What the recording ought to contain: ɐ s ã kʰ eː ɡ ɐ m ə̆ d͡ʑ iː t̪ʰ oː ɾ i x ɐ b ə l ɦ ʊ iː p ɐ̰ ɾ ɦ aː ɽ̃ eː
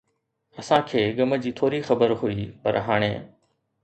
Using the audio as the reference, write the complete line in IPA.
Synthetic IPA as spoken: ɐ s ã kʰ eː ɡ ɐ m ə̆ d͡ʑ iː t̪ʰ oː ɾ i x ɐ b ə ɾ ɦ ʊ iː p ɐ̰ ɾ ɦ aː ɽ̃ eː